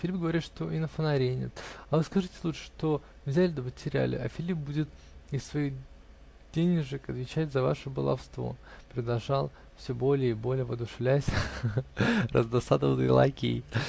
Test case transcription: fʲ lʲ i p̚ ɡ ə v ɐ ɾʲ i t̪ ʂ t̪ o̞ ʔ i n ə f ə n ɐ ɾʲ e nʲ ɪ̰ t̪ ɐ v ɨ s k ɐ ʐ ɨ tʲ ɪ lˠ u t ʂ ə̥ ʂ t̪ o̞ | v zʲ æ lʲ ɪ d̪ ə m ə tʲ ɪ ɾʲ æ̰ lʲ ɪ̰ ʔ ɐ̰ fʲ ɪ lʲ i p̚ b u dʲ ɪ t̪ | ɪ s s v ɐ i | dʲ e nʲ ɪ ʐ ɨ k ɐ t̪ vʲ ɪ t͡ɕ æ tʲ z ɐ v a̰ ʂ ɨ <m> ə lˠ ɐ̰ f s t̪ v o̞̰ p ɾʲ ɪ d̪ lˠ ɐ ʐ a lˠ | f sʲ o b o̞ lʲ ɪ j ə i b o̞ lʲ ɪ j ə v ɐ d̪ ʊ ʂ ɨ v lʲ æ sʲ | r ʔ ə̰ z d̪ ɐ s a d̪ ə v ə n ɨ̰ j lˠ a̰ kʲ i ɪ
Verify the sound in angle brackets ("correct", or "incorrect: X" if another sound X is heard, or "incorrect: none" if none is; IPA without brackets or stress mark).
incorrect: b